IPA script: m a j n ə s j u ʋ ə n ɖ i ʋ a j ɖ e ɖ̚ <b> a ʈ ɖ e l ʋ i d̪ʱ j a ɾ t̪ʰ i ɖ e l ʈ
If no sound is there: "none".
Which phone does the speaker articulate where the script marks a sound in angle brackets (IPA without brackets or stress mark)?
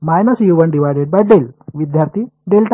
b